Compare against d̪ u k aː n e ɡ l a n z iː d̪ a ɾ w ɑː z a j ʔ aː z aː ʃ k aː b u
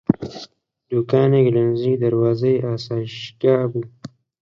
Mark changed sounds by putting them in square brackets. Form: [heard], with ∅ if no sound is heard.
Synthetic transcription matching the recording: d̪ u k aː n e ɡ l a n z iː d̪ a ɾ w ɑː z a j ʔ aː [s] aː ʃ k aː b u